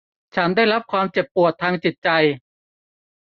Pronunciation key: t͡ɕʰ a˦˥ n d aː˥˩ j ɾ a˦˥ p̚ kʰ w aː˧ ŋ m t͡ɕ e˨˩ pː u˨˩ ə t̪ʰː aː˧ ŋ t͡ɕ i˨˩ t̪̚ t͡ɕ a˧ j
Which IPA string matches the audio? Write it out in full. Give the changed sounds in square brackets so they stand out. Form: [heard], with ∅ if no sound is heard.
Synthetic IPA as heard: t͡ɕʰ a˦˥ n d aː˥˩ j ɾ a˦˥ p̚ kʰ w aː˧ [∅] m t͡ɕ e˨˩ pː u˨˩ ə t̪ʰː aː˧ ŋ t͡ɕ i˨˩ t̪̚ t͡ɕ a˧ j